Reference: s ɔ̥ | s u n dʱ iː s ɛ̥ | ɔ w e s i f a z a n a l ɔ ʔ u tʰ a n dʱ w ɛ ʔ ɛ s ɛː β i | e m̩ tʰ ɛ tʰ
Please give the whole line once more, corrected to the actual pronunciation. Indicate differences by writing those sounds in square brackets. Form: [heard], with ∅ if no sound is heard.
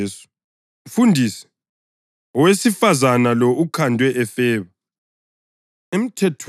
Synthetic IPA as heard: s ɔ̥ | [f] u n dʱ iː s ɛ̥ | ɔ w e s i f a z a n a l ɔ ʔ u [kʰ] a n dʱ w ɛ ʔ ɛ [f] ɛː β [a] | e m̩ tʰ ɛ tʰ

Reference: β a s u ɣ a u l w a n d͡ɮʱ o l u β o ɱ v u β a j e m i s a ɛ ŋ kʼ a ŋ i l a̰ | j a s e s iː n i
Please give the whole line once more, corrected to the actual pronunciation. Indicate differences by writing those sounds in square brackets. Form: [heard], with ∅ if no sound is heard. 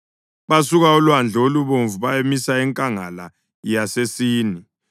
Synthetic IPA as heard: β a s u ɣ a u l w a n d͡ɮʱ o l u β o ɱ v u β a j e m i s a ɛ ŋ kʼ a ŋ [a] l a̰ | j a s e s iː n i

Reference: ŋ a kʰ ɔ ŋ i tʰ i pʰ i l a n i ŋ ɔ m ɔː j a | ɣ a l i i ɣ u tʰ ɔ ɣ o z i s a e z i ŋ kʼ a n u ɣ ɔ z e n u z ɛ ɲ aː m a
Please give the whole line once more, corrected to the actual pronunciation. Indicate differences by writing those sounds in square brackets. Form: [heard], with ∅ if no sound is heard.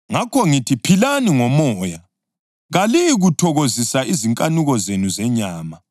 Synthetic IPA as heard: ŋ a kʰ ɔ ŋ i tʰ i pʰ i l a n i ŋ ɔ m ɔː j a | ɣ a l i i ɣ u tʰ ɔ ɣ o z i s a [i] z i ŋ kʼ a n u ɣ ɔ z e n u z ɛ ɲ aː m a

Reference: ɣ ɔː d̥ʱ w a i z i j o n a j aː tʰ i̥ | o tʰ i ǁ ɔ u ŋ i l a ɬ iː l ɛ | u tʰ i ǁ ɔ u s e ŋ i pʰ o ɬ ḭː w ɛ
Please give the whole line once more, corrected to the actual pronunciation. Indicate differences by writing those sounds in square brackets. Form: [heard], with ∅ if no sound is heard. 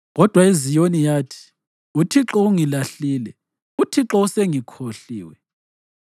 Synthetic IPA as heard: ɣ [ɔ] d̥ʱ w a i z i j o n [i] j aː tʰ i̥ | [u] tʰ i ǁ ɔ u ŋ i l a ɬ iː l ɛ | u tʰ i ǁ ɔ u s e ŋ i [kʰ] o ɬ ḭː w ɛ

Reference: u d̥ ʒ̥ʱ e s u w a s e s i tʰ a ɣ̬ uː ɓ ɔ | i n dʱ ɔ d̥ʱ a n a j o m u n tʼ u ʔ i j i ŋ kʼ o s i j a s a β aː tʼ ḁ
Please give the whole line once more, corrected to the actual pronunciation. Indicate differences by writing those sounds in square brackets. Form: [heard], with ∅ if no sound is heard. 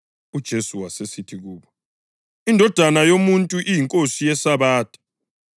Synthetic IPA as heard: u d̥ ʒ̥ʱ e s u w a s e s i tʰ [i] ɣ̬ uː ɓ ɔ | i n dʱ ɔ d̥ʱ a n a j o m u n tʼ u ʔ i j i ŋ kʼ o s i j [ɛ] s a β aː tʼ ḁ

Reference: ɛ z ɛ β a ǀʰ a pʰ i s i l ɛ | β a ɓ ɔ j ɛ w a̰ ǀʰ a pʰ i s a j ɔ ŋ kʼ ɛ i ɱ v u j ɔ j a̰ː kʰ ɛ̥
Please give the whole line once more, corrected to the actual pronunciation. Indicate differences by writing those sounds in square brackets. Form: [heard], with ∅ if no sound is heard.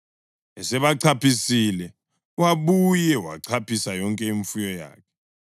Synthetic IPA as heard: ɛ [s] ɛ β a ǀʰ a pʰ i s i l ɛ | [w] a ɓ [u] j ɛ w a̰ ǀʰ a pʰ i s a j ɔ ŋ kʼ ɛ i ɱ [f] u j ɔ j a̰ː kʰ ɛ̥

